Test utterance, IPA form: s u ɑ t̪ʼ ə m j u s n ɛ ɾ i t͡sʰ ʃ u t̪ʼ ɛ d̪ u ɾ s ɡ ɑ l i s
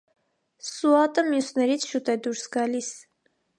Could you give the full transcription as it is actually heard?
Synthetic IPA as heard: s u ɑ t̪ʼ ə m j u s n ɛ ɾ i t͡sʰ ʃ u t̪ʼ ɛ d̪ u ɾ s ɡ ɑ l i s